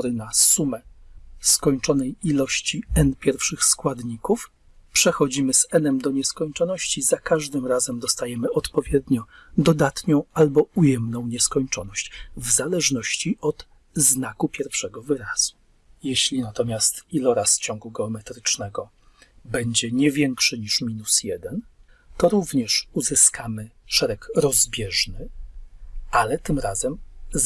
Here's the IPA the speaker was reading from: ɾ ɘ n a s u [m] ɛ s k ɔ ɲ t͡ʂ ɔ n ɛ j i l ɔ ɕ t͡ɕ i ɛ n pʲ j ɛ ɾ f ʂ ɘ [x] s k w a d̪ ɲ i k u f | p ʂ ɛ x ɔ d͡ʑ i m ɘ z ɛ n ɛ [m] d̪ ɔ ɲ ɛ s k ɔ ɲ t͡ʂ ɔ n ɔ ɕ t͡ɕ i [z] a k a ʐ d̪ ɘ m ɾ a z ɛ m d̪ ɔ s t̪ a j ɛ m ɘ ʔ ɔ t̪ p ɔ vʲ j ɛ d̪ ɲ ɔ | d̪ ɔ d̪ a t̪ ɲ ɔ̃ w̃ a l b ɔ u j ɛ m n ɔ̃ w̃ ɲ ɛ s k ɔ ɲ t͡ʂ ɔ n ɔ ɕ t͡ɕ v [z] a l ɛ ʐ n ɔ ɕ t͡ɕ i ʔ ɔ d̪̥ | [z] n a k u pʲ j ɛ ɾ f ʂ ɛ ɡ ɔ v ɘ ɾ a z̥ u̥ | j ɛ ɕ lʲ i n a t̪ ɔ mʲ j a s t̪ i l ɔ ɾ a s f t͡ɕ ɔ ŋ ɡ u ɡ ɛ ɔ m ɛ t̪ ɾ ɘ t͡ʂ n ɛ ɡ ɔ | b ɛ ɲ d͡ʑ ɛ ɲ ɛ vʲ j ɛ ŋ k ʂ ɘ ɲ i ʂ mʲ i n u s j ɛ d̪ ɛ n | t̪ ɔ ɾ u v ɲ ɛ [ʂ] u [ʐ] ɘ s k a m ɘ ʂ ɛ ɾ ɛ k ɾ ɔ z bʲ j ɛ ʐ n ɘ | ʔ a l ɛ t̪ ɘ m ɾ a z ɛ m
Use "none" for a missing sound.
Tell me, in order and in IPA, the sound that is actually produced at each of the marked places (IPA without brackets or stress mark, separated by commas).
m, x, m, z, z, z, ʂ, z